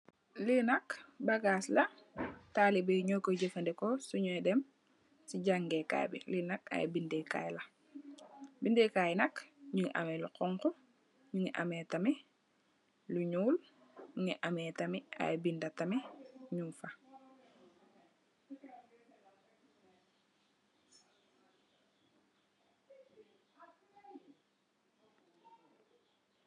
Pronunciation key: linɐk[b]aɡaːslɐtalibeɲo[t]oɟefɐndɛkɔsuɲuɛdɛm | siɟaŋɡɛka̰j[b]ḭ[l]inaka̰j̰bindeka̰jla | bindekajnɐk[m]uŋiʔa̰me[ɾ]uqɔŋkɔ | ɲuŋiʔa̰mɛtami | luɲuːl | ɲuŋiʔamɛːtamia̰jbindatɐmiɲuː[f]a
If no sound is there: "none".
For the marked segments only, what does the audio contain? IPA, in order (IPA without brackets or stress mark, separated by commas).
b, k, b, l, ɲ, l, f